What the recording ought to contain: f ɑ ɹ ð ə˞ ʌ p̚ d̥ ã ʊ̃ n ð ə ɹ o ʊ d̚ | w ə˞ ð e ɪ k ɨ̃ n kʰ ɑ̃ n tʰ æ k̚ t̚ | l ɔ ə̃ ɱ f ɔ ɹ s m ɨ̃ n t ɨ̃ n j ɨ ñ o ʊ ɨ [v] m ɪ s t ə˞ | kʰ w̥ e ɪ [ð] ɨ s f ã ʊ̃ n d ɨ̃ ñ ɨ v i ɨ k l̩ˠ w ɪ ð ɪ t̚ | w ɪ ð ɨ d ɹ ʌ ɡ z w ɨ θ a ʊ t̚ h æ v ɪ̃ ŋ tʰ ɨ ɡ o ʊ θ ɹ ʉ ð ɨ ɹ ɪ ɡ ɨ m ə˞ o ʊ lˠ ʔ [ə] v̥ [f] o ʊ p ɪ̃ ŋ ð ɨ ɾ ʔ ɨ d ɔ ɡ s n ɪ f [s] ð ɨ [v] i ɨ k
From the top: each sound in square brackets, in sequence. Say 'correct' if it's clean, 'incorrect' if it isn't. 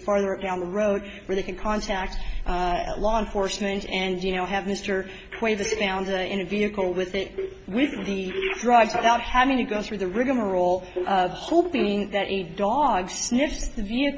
correct, incorrect: v, incorrect: ʌ, incorrect: h, correct, correct

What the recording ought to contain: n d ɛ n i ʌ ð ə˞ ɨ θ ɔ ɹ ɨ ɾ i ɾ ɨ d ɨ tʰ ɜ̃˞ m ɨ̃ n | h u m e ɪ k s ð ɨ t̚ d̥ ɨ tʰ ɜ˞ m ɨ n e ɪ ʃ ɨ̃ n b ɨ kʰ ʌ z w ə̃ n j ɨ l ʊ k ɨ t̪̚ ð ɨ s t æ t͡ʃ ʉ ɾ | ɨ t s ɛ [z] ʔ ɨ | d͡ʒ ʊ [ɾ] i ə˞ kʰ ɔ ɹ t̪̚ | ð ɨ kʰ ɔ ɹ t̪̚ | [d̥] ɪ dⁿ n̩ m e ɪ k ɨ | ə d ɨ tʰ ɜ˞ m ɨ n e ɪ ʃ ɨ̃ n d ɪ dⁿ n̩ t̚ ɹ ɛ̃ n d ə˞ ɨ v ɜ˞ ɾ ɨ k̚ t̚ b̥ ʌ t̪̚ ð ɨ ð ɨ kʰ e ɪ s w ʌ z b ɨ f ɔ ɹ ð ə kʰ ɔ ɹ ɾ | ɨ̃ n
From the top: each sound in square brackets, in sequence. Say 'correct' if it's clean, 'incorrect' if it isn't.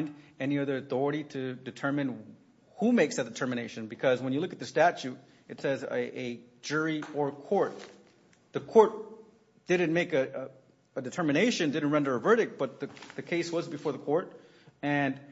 correct, incorrect: ɹ, correct

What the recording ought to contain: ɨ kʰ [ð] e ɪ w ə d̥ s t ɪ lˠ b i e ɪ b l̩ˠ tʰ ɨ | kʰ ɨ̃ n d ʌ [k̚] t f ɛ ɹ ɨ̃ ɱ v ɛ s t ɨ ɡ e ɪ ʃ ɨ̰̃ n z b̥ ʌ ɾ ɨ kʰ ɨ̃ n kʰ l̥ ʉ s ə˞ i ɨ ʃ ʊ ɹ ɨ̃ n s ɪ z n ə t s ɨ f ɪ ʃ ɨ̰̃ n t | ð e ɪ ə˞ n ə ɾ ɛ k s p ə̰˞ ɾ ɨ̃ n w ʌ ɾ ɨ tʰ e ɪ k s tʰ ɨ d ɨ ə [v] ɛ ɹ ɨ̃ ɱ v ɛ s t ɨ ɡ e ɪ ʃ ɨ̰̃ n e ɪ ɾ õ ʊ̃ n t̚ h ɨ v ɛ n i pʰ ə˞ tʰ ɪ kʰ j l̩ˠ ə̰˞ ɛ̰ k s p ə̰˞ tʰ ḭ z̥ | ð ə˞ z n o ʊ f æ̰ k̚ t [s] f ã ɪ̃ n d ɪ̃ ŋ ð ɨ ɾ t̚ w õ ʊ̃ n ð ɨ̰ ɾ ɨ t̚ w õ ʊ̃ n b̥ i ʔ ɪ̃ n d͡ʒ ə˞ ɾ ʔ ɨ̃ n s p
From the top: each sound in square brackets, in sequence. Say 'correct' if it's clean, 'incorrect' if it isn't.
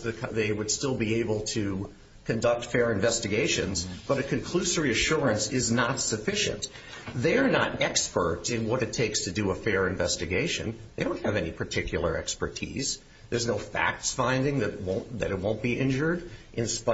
correct, correct, incorrect: f, correct

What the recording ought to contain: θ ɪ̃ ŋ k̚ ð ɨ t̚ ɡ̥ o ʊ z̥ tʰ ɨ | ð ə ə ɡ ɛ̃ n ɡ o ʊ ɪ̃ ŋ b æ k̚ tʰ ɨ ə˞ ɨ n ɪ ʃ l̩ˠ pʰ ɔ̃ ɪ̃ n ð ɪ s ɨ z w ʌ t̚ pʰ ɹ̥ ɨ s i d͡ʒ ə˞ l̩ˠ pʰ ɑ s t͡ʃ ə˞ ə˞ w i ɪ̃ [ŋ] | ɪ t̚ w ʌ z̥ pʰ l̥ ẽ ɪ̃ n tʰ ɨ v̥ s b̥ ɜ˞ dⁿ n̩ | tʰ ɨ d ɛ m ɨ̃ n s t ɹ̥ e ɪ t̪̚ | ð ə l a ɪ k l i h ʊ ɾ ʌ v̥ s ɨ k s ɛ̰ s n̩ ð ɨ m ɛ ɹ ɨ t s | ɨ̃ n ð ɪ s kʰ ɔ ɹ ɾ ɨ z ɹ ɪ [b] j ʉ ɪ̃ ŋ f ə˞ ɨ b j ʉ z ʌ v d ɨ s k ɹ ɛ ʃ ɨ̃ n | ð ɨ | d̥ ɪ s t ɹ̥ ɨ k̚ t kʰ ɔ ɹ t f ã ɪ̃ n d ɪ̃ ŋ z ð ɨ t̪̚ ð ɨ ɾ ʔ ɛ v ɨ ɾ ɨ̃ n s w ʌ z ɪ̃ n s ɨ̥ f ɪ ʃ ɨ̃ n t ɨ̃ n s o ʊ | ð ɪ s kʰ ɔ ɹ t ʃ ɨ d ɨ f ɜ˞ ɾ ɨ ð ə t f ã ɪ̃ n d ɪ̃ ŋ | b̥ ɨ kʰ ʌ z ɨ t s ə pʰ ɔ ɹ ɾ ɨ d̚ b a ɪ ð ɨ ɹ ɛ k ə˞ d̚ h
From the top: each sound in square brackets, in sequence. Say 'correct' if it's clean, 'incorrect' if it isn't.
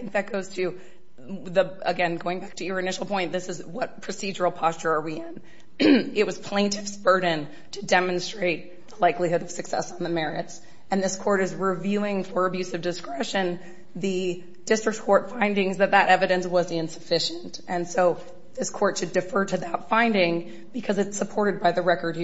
incorrect: n, incorrect: v

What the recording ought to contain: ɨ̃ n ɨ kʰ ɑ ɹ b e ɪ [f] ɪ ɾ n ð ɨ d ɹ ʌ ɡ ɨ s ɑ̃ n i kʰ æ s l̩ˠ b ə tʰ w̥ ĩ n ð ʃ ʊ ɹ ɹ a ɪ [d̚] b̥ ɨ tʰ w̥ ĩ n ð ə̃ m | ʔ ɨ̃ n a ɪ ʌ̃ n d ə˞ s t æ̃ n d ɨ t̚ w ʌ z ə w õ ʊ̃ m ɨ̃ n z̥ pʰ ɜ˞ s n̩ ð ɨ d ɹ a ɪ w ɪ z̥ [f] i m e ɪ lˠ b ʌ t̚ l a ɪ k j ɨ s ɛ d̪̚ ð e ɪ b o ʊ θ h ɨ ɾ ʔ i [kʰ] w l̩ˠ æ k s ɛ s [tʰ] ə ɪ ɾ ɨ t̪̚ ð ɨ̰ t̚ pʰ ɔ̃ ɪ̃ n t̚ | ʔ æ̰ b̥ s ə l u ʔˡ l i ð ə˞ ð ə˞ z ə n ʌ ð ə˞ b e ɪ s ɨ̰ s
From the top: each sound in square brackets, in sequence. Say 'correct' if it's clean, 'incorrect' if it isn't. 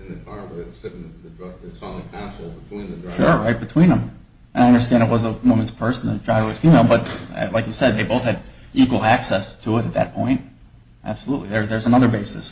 incorrect: s, incorrect: t̚, correct, incorrect: k, correct

